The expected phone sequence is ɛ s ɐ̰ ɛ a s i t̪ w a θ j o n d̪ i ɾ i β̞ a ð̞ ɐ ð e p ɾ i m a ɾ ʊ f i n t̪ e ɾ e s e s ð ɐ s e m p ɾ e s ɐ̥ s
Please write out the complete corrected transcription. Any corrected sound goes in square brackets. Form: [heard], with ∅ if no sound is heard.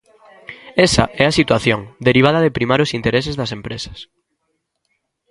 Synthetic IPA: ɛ s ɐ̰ ɛ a s i t̪ w a θ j o [ŋ] d̪ [e] ɾ i β̞ a ð̞ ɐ ð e p ɾ i m a ɾ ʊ [s] i n t̪ e ɾ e s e [z] ð ɐ s e m p ɾ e s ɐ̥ s

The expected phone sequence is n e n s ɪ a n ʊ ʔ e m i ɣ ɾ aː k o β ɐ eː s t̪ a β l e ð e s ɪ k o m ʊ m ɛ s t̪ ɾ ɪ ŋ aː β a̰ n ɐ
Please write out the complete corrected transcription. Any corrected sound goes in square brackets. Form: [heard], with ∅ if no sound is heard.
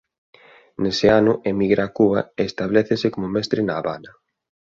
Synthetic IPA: n e [∅] s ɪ a n ʊ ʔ e m i ɣ ɾ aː k [u] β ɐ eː s t̪ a β l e [θ] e s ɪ k o m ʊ m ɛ s t̪ ɾ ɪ [n] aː β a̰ n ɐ

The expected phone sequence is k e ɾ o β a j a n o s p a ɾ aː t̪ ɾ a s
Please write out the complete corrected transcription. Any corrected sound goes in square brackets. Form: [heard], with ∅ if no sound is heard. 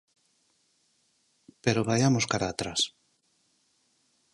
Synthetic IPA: [p] e ɾ o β a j a [m] o s [k] a ɾ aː t̪ ɾ a s

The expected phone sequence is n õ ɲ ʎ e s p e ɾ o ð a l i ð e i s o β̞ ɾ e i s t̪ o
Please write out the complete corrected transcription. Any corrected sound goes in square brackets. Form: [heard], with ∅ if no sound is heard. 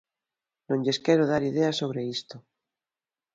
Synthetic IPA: n õ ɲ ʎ e s [k] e ɾ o ð a [ɾ] i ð e [a] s o β̞ ɾ e i s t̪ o

